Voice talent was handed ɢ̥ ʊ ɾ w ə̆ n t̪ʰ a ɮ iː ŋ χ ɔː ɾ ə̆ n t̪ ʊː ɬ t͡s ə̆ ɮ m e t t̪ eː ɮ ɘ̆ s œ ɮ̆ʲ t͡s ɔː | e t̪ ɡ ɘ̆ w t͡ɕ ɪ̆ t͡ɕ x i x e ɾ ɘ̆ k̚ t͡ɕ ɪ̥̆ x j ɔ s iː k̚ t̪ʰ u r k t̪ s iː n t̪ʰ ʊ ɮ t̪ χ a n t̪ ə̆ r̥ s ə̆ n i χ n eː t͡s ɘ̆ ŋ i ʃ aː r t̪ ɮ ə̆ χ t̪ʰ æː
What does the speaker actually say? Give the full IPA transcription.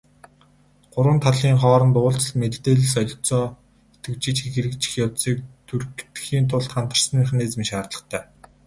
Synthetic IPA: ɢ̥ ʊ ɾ w ə̆ n t̪ʰ a ɮ iː ŋ χ ɔː ɾ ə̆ n t̪ ʊː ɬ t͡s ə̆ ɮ m e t t̪ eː ɮ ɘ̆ s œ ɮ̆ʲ t͡s ɔː | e t̪ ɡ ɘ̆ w t͡ɕ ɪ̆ t͡ɕ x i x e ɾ ɘ̆ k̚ t͡ɕ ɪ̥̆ x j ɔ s iː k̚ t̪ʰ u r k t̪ x iː n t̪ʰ ʊ ɮ t̪ χ a n t̪ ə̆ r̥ s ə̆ n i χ n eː t͡s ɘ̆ m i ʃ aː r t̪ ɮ ə̆ χ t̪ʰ æː